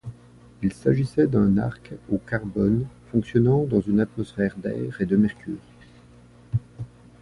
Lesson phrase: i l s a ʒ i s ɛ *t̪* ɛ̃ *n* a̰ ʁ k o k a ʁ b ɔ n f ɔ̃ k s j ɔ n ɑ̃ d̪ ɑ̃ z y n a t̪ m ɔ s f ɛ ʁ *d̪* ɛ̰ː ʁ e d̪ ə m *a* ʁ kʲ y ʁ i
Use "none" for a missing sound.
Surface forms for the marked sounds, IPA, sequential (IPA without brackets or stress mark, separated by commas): d̪, n, d̪, ɛ